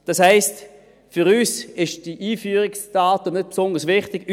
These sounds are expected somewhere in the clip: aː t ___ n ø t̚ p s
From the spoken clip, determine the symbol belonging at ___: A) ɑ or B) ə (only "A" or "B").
B